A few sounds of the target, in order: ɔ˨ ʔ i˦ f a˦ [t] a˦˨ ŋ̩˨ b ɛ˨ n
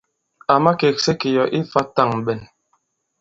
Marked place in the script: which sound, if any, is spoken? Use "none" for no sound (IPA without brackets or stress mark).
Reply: t